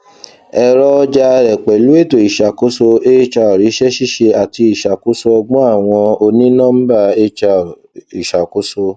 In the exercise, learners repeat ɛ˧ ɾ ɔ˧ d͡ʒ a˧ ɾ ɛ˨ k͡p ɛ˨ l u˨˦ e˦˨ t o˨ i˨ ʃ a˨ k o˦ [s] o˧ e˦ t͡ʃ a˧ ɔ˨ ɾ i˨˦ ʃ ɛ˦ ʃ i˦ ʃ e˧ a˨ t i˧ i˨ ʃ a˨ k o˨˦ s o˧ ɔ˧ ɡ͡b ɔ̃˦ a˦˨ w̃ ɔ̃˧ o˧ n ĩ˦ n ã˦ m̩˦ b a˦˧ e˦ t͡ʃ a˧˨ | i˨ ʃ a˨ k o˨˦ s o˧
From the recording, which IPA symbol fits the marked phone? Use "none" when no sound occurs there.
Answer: s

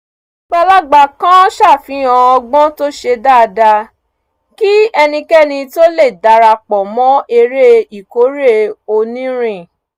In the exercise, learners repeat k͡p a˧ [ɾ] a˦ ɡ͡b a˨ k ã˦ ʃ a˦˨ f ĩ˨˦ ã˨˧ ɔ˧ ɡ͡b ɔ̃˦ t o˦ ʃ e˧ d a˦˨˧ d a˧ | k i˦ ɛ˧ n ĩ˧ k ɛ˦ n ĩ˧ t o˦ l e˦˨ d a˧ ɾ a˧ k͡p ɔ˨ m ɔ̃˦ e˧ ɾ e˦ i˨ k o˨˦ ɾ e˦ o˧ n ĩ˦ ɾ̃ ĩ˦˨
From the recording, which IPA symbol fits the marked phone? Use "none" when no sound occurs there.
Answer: l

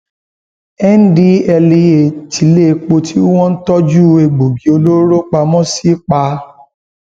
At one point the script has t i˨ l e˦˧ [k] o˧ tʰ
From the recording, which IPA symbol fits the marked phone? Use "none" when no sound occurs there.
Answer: k͡p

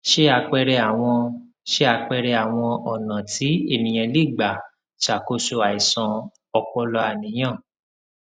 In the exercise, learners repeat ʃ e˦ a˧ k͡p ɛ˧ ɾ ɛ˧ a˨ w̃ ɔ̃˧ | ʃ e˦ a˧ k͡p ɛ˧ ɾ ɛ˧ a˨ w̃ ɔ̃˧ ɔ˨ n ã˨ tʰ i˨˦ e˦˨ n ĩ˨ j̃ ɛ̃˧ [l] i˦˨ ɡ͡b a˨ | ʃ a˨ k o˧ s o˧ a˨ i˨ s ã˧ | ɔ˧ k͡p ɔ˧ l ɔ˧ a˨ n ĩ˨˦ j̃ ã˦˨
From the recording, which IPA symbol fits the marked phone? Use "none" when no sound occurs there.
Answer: l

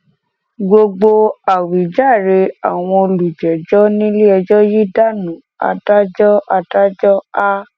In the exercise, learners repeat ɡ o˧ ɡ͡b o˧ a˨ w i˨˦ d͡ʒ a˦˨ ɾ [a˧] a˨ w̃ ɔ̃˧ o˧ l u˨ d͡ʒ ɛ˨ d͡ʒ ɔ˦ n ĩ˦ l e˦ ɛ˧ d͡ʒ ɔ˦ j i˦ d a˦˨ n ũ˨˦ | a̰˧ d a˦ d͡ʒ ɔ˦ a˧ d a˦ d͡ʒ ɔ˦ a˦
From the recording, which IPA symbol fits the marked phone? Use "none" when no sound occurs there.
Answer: e˧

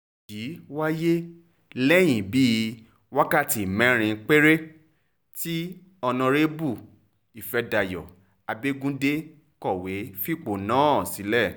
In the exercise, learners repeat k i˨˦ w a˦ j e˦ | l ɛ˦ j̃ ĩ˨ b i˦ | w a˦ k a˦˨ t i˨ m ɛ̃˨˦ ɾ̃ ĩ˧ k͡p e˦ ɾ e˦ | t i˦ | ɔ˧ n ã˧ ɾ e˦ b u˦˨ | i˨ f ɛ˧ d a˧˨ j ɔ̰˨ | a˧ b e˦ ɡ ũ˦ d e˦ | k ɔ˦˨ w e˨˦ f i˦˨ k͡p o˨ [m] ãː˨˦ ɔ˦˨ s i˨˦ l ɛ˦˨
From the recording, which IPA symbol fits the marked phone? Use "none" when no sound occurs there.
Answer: n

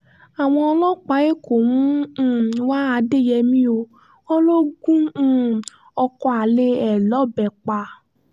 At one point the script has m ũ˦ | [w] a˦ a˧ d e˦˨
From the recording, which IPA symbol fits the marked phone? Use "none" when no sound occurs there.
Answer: w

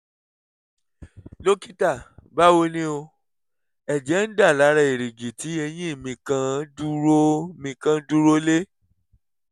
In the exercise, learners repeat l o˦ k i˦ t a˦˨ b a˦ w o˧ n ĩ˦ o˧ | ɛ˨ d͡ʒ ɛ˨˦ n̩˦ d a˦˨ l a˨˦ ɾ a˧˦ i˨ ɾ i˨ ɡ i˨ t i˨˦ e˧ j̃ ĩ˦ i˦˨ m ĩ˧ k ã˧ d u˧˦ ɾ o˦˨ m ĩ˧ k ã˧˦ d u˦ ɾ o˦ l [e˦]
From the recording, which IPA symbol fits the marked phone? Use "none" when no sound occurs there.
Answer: e˦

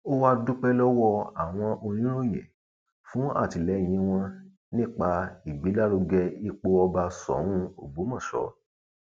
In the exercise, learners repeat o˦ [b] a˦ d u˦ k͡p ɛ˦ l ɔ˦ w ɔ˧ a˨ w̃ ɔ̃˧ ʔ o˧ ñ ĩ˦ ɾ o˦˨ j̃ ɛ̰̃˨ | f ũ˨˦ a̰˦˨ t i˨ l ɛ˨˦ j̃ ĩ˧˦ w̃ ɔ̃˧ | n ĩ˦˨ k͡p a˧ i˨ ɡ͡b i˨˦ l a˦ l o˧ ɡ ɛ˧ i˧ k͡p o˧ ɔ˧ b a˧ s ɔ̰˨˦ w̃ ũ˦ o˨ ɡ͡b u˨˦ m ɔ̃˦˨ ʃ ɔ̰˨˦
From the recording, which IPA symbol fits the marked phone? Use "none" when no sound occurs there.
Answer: w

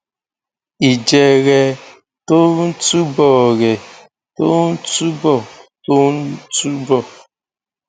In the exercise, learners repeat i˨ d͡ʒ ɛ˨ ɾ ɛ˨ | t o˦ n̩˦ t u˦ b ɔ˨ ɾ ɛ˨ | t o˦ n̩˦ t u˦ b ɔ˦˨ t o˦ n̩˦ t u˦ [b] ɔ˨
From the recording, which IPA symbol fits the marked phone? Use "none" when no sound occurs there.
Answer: b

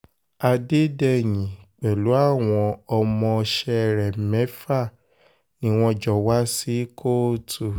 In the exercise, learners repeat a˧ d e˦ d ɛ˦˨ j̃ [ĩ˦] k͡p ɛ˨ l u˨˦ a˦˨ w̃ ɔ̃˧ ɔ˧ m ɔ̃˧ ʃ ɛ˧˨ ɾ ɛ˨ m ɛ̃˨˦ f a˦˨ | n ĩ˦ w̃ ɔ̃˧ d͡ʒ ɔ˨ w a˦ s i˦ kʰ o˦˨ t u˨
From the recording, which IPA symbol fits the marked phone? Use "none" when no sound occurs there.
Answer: ĩ˨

